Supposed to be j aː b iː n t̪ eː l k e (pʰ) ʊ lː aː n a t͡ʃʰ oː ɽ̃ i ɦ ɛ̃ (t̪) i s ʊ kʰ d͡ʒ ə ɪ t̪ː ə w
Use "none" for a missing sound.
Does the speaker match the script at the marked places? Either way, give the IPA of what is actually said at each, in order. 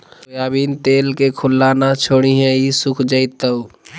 kʰ, none

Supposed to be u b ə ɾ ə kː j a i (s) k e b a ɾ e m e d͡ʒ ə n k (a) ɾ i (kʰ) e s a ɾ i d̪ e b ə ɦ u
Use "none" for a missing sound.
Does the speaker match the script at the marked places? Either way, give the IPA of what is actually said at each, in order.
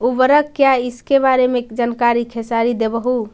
s, a, kʰ

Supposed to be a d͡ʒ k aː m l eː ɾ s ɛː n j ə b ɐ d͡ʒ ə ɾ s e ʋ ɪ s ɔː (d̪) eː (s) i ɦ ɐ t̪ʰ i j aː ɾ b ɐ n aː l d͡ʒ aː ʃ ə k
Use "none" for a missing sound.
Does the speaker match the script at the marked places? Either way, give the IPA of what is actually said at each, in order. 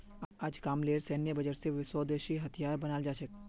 d̪, ʃ

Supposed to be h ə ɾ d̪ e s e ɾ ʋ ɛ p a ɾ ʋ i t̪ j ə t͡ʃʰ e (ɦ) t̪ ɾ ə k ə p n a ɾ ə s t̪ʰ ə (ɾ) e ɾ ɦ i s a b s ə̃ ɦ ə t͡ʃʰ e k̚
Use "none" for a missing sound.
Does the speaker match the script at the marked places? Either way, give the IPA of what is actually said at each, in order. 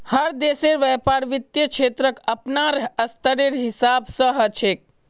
none, ɾ

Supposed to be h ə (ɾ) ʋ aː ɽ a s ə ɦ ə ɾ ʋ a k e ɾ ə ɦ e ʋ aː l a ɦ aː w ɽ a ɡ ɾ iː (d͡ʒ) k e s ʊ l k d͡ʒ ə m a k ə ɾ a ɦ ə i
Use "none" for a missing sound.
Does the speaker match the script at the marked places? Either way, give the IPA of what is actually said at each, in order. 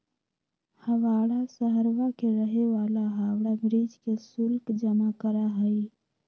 none, d͡ʒ

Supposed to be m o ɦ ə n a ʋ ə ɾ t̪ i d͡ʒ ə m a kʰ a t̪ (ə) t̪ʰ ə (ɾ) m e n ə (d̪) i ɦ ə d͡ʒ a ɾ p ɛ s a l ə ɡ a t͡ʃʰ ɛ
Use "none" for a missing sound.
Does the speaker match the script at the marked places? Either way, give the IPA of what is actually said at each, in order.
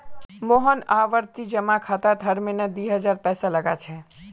a, ɾ, d̪

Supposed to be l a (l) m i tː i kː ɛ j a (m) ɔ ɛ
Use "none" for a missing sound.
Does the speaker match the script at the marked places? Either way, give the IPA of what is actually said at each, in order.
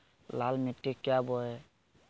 l, b

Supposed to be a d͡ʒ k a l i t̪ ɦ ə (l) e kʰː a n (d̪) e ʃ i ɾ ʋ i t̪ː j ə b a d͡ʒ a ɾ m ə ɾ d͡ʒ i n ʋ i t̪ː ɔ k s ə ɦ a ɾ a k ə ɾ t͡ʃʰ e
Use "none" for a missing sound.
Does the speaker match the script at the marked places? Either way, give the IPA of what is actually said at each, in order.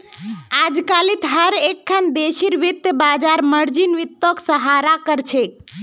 ɾ, d̪

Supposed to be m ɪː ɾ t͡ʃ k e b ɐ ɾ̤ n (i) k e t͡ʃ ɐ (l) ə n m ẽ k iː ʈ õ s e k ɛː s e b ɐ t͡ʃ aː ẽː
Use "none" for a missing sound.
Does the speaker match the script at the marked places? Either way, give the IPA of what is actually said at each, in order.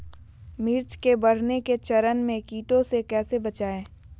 e, ɾ

